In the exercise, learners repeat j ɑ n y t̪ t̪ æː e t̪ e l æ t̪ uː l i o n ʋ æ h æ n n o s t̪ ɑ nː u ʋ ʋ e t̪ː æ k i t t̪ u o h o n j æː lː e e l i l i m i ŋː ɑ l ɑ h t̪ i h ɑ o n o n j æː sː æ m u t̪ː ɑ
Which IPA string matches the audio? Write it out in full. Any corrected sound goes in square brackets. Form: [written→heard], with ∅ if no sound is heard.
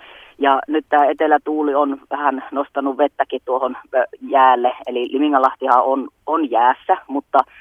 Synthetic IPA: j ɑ n y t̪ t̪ æː e t̪ e l æ t̪ uː l i o n ʋ æ h æ n n o s t̪ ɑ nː u ʋ ʋ e t̪ː æ k i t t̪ u o h o n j æː lː e e l i l i m i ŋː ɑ l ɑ h t̪ i h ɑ o n o n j æː sː æ m u t̪ː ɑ